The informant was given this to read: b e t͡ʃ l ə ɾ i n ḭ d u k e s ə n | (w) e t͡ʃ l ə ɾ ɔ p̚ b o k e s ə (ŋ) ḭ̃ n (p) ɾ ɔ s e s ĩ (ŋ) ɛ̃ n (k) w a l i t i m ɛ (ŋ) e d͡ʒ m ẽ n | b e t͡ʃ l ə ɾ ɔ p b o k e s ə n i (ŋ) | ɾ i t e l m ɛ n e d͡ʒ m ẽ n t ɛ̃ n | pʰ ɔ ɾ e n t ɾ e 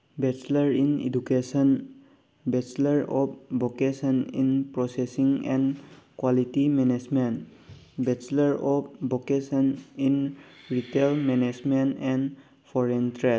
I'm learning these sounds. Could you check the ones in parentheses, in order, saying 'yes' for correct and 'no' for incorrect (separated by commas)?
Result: no, no, yes, yes, yes, no, no